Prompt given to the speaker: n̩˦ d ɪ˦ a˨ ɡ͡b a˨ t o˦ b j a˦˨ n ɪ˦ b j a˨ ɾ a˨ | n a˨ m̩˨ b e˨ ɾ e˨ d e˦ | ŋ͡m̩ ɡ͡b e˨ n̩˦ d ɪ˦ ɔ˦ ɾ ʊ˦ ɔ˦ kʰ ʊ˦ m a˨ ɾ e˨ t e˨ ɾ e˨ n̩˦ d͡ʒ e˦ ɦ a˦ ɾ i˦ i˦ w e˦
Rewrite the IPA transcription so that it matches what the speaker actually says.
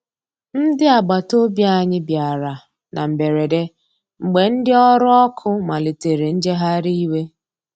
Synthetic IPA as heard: n̩˦ d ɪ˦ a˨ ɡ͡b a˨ t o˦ b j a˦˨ ɲ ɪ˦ b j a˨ ɾ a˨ | n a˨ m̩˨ b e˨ ɾ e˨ d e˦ | ŋ͡m̩ ɡ͡b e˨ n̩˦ d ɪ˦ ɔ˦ ɾ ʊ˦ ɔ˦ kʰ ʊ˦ m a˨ l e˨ t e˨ ɾ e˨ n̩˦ d͡ʒ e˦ ɦ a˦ ɾ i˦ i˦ w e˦

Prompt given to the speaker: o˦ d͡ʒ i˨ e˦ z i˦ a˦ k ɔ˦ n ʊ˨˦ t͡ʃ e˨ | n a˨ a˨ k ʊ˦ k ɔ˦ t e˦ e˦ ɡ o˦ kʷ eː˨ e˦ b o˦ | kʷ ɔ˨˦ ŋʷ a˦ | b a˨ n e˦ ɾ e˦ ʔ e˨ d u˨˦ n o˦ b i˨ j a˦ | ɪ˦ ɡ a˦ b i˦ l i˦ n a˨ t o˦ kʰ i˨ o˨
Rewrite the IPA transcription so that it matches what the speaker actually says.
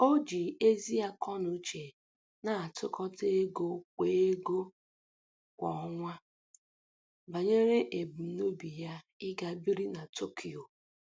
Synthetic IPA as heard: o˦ d͡ʒ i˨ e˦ z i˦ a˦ k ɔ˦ n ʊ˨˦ t͡ʃ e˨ | n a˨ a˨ t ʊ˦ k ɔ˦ t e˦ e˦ ɡ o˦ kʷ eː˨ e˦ ɡ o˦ | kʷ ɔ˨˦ ŋʷ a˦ | b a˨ ɲ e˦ ɾ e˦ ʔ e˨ b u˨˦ n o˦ b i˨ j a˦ | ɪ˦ ɡ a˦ b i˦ ɾ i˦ n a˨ t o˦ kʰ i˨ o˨

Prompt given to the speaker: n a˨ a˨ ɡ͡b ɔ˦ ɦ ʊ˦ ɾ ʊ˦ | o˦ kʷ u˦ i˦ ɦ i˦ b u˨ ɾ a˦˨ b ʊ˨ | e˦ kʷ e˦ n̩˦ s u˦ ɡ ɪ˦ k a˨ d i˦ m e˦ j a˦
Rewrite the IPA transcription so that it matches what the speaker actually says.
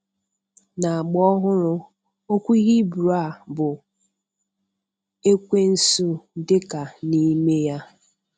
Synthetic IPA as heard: n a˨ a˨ ɡ͡b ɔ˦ ɦ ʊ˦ ɾ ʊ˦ | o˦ kʷ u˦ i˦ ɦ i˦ b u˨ ɾ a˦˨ b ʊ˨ | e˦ kʷ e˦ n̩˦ s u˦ d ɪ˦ k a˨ n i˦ m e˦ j a˦

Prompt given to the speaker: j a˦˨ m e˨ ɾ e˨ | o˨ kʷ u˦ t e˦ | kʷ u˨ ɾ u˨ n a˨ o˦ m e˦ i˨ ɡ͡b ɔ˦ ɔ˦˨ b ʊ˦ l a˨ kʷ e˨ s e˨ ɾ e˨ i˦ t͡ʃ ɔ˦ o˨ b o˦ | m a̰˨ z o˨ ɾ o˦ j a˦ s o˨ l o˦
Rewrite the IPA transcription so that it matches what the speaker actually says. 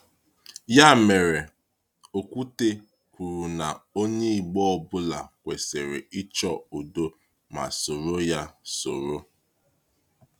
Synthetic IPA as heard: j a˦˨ m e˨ ɾ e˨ | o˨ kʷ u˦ t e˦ | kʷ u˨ ɾ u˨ n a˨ o˦ ɲ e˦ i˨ ɡ͡b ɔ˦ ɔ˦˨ b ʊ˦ l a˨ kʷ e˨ s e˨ ɾ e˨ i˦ t͡ʃ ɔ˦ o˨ d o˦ | m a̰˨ s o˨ ɾ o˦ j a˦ s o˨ ɾ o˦

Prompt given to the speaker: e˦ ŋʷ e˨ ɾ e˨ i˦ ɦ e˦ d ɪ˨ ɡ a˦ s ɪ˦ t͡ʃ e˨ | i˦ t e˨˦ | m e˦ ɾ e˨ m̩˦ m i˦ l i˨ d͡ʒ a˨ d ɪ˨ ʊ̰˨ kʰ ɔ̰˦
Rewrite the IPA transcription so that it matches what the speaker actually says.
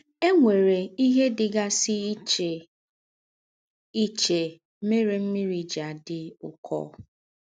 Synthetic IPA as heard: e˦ ŋʷ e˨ ɾ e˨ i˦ ɦ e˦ d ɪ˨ ɡ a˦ s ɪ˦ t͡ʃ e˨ | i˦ t͡ʃ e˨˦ | m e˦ ɾ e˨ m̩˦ m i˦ ɾ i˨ d͡ʒ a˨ d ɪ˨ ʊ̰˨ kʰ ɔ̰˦

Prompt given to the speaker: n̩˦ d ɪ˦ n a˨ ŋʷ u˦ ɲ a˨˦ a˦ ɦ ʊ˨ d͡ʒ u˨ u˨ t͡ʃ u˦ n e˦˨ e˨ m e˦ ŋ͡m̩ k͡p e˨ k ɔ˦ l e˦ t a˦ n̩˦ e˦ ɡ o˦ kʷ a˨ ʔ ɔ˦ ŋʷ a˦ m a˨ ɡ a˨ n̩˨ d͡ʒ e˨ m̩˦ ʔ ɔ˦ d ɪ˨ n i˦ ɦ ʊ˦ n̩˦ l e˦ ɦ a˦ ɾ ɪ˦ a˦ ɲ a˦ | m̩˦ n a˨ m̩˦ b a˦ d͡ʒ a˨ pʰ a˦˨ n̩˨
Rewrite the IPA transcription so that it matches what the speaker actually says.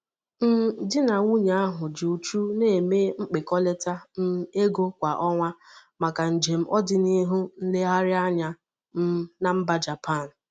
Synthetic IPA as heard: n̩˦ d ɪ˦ n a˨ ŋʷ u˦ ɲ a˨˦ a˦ ɦ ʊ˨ d͡ʒ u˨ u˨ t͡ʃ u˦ n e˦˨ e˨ m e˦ ŋ͡m̩ k͡p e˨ k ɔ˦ l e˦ t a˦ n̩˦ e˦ ɡ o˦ kʷ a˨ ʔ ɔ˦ ŋʷ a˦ m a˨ k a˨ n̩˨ d͡ʒ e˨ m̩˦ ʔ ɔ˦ d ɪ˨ n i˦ ɦ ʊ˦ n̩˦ l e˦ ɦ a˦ ɾ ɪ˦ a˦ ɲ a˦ | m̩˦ n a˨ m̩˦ b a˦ d͡ʒ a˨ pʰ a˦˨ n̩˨

